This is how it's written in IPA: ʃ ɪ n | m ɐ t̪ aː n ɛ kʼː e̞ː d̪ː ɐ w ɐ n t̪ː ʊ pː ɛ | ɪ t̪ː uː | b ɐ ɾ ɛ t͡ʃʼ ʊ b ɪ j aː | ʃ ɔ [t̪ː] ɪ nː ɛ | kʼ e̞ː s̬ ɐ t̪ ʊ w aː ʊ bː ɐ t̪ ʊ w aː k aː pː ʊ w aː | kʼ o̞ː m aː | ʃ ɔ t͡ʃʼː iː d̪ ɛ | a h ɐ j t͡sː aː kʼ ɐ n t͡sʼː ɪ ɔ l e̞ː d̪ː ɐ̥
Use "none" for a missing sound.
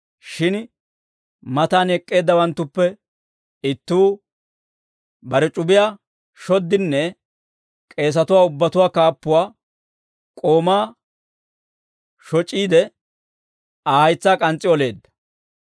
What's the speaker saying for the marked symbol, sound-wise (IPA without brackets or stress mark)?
d̪ː